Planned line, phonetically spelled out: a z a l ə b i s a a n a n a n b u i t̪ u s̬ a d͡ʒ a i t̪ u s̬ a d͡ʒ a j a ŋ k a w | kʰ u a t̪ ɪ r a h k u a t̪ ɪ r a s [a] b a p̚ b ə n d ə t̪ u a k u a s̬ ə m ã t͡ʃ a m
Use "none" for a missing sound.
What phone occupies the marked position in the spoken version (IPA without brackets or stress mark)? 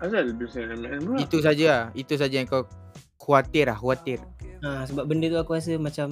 ə